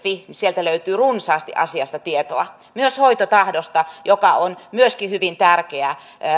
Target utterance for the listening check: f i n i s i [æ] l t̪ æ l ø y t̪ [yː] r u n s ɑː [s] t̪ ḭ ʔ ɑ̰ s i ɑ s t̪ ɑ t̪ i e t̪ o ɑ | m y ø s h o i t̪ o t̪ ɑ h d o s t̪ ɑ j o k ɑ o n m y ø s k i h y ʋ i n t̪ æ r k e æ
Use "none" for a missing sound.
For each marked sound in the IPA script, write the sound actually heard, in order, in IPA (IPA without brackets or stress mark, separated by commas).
e, yː, s